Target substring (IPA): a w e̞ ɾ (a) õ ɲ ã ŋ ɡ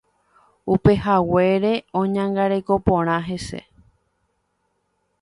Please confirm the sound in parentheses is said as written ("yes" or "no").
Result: no